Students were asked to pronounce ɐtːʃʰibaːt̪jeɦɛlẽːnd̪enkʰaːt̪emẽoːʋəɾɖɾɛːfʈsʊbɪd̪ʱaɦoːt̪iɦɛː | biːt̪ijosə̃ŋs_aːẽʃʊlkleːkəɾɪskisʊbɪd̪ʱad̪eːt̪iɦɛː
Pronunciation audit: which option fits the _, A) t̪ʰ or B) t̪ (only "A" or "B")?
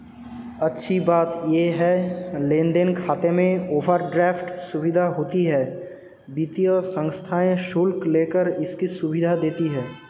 A